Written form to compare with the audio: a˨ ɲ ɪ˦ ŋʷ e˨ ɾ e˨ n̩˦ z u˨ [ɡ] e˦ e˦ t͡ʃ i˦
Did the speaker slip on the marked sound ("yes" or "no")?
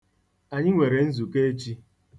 yes